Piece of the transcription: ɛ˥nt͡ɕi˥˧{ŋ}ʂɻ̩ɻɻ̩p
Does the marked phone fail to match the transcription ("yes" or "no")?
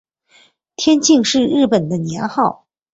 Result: no